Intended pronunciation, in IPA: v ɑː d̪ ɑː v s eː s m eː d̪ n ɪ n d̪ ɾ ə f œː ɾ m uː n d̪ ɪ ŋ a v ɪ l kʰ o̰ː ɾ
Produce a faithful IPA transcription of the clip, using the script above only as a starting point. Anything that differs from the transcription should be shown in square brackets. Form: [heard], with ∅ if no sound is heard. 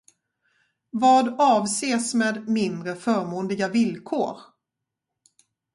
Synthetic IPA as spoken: v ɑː d̪ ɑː v s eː s m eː d̪ [m] ɪ n d̪ ɾ ə f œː ɾ m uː n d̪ ɪ [ɡ] a v ɪ l kʰ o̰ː ɾ